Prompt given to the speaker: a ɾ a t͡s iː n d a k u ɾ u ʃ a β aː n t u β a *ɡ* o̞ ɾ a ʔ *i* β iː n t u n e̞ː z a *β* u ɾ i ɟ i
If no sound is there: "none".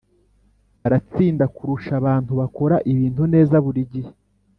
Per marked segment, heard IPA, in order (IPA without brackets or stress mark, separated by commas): k, i, β